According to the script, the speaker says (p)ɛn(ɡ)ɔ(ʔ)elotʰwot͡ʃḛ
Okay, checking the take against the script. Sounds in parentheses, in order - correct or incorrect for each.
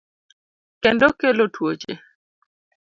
incorrect: k, incorrect: d, incorrect: k

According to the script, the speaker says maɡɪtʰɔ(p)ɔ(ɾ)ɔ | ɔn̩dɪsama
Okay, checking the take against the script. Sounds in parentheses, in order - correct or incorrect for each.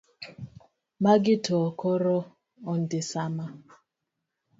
incorrect: k, correct

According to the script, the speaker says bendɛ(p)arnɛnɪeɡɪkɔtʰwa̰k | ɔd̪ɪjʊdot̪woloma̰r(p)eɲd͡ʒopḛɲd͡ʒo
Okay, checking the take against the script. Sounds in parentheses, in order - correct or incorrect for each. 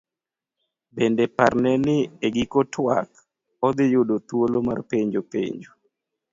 correct, correct

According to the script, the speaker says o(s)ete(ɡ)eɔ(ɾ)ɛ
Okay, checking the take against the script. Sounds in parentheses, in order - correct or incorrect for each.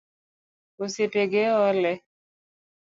correct, correct, incorrect: l

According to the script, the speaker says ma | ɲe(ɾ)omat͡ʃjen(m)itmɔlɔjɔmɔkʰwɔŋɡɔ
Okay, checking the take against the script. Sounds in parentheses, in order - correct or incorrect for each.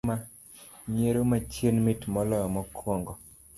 correct, correct

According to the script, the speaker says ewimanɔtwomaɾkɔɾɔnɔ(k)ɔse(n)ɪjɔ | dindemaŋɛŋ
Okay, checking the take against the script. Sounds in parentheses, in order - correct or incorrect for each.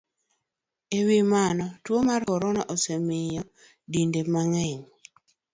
incorrect: ʔ, incorrect: m

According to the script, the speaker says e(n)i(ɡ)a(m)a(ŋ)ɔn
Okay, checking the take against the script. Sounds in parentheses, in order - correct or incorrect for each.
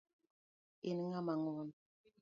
correct, incorrect: ŋ, correct, correct

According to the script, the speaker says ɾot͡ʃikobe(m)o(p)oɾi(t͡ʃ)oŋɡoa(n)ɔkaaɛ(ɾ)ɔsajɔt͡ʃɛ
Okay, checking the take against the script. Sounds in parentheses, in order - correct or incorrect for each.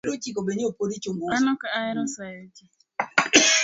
incorrect: ɲ, correct, correct, correct, correct

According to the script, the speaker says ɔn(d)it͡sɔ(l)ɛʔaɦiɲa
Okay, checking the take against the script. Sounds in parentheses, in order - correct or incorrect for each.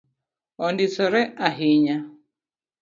correct, incorrect: ɾ

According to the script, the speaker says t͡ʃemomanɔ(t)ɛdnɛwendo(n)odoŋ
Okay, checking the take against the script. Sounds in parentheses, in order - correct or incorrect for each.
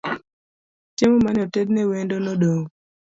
correct, correct

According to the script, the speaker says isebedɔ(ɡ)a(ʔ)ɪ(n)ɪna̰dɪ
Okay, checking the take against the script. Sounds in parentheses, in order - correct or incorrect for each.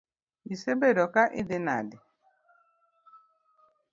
incorrect: k, correct, incorrect: d

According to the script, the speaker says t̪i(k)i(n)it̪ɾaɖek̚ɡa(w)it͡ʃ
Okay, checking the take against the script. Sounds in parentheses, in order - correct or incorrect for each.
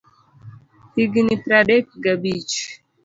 incorrect: ɡ, correct, incorrect: b

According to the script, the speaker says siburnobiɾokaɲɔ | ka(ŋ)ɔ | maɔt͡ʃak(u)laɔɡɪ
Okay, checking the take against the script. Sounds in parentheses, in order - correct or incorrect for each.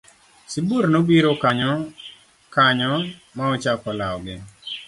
incorrect: ɲ, incorrect: ɔ

